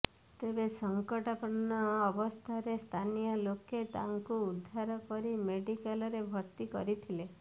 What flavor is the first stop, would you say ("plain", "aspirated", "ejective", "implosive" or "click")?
plain